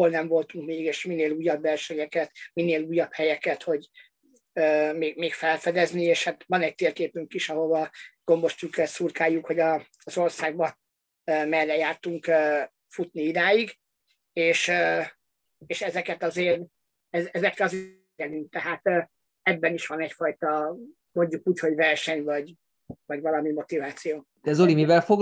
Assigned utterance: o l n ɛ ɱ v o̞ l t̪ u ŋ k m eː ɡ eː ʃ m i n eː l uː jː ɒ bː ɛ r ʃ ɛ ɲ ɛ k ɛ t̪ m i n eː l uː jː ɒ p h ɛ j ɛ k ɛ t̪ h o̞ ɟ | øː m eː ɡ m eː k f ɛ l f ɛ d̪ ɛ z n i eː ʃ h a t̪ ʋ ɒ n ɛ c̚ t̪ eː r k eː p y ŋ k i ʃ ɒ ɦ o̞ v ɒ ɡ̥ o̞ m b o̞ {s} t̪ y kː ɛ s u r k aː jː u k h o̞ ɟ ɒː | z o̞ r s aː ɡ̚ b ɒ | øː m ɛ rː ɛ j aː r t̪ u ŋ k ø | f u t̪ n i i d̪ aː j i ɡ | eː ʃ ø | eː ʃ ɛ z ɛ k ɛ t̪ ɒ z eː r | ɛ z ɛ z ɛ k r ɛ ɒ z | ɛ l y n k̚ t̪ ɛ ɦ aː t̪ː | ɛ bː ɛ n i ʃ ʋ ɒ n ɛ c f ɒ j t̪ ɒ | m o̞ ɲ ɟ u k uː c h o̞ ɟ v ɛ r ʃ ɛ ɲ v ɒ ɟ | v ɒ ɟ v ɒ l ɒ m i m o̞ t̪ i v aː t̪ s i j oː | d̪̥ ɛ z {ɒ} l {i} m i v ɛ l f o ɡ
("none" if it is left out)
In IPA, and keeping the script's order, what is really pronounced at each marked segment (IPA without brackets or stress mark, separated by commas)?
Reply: ʃ, o, i